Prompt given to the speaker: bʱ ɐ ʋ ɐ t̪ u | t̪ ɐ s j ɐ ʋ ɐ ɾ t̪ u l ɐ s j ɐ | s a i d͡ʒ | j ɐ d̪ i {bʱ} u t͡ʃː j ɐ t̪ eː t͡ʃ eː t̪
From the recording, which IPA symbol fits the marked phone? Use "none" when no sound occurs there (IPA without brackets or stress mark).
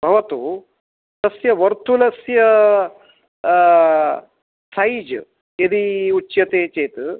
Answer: none